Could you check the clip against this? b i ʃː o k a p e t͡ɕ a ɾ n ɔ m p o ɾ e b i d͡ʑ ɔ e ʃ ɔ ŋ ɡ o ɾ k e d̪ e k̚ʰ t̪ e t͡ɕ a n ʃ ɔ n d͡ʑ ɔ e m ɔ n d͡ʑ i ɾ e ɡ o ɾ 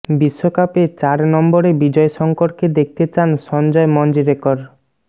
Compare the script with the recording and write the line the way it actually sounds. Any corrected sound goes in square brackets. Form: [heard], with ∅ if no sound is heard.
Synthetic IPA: b i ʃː o k a p e t͡ɕ a ɾ n ɔ m [b] o ɾ e b i d͡ʑ ɔ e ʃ ɔ ŋ [k] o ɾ k e d̪ e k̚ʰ t̪ e t͡ɕ a n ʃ ɔ n d͡ʑ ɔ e m ɔ n d͡ʑ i ɾ e [k] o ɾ